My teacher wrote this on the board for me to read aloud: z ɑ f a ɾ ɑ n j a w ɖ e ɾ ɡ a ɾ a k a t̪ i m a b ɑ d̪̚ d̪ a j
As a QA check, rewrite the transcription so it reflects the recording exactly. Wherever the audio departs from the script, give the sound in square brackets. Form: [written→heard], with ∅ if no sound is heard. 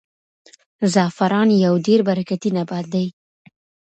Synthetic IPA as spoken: z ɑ f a ɾ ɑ n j a w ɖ e ɾ [ɡ→b] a ɾ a k a t̪ i [m→n] a b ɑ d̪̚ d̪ a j